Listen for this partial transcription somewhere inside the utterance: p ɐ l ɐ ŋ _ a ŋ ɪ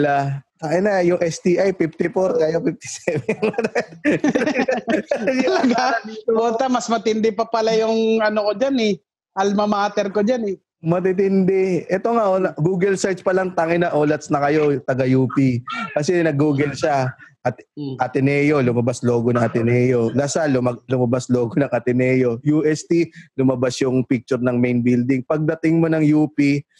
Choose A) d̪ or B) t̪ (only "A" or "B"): B